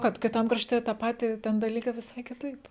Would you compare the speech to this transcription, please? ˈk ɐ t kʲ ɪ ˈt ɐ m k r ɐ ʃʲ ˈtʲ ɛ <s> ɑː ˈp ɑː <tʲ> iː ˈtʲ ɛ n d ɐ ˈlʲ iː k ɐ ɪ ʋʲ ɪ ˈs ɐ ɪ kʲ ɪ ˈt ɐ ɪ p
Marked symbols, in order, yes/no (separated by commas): no, yes